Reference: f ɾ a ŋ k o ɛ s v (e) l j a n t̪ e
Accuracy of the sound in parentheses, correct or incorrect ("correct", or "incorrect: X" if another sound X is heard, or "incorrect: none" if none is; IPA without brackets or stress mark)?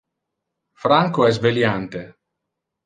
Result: correct